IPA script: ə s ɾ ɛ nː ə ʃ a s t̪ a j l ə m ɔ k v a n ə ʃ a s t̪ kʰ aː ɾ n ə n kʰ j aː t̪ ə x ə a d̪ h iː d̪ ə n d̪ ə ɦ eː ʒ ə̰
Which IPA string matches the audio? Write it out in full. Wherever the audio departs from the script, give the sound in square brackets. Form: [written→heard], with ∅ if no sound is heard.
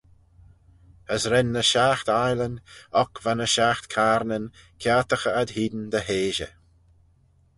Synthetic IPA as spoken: ə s ɾ ɛ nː ə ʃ a [s→x] t̪ a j l ə [m→n] ɔ k v a n ə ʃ a [s→x] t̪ kʰ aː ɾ n ə n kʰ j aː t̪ ə x ə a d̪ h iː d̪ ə n d̪ ə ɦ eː ʒ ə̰